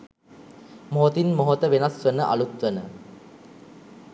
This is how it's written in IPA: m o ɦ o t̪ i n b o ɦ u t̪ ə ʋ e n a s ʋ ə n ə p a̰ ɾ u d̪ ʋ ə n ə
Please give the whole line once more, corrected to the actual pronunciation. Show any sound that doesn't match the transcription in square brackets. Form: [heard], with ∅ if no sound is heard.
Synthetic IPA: m o ɦ o t̪ i n [m] o ɦ [o] t̪ ə ʋ e n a s ʋ ə n ə [ʔ] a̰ [l] u [t̪] ʋ ə n ə

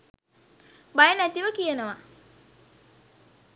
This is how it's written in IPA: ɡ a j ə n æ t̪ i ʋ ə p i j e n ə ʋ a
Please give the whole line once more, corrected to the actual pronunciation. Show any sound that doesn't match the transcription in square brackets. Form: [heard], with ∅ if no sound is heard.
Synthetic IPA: [b] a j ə n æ t̪ i ʋ ə [k] i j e n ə ʋ a

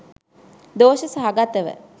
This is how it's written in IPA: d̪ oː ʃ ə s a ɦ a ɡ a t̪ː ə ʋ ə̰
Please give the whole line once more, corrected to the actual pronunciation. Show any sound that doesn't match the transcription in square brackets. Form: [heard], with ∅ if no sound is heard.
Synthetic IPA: d̪ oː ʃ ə s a ɦ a ɡ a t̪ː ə ʋ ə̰

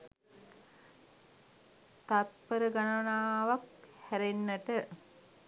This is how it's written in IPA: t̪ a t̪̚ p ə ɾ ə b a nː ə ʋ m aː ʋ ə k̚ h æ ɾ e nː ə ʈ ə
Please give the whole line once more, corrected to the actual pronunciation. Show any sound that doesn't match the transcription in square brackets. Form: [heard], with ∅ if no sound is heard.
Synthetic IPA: t̪ a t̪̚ p ə ɾ ə [ɡ] a [n] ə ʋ [n] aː ʋ [a] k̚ h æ ɾ e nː ə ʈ ə

